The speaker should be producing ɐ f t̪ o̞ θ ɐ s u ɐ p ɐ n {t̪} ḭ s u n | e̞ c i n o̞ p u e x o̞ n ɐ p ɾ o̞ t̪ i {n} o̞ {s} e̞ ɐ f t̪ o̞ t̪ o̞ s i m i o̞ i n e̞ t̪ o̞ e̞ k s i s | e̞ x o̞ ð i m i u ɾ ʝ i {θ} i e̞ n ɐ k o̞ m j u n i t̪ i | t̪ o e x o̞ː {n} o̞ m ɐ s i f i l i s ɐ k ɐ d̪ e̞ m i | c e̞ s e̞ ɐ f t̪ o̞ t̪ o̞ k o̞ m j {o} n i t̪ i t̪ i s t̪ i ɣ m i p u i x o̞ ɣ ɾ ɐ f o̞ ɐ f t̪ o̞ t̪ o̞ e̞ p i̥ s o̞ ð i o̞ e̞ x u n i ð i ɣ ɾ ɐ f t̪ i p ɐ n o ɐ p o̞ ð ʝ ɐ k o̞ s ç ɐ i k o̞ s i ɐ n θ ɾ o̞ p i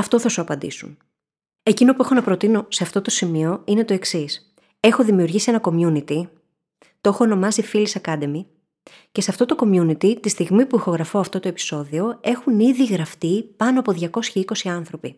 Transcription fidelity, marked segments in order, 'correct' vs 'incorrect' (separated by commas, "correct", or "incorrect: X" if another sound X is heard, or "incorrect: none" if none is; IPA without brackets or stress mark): incorrect: d̪, correct, correct, incorrect: s, correct, incorrect: u